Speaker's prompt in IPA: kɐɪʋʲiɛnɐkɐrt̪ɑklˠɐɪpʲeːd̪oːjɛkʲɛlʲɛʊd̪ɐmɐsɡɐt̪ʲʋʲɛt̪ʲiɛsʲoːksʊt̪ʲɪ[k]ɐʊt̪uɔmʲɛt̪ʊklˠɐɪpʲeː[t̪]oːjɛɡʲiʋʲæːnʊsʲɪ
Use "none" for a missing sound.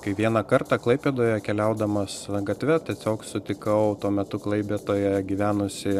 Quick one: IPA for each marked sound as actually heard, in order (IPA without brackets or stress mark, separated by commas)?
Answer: k, t̪